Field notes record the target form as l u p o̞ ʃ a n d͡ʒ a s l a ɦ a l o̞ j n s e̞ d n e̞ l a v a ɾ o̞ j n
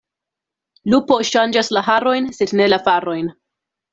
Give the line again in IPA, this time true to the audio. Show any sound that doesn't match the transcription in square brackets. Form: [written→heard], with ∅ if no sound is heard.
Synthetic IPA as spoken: l u p o̞ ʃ a n d͡ʒ a s l a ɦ a [l→ɾ] o̞ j n s e̞ d n e̞ l a [v→f] a ɾ o̞ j n

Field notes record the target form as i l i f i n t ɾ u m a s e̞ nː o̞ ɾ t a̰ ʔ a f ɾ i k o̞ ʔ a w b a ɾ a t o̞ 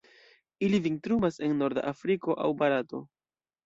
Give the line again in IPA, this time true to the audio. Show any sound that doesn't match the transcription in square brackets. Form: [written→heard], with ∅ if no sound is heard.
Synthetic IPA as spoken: i l i [f→v] i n t ɾ u m a s e̞ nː o̞ ɾ [t→d] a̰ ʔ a f ɾ i k o̞ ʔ a w b a ɾ a t o̞

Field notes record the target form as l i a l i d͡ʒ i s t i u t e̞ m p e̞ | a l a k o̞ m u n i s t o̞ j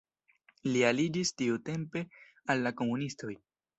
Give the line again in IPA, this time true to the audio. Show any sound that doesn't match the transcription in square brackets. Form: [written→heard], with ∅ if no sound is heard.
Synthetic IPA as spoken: l i a l i d͡ʒ i s t i u t e̞ m p e̞ | a [l→lː] a k o̞ m u n i s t o̞ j

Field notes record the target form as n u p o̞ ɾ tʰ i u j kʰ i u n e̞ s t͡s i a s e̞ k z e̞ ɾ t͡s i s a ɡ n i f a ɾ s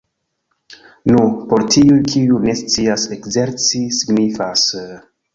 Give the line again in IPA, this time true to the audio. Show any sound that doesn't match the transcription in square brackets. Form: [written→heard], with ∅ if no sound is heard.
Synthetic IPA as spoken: n u p o̞ ɾ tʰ i u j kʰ i u n e̞ s t͡s i a s e̞ k z e̞ ɾ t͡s i s [a→i] ɡ n i f a [ɾ→∅] s

